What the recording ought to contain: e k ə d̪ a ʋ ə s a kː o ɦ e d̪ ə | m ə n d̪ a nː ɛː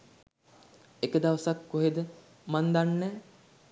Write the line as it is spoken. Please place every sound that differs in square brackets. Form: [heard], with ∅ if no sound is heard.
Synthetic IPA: e k ə d̪ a ʋ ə s a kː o ɦ e d̪ ə | m [a] n d̪ a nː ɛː